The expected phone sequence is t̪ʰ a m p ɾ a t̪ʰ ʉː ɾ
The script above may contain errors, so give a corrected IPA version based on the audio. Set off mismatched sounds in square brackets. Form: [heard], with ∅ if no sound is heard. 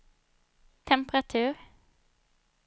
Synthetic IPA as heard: t̪ʰ [ɛ] m p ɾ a t̪ʰ ʉː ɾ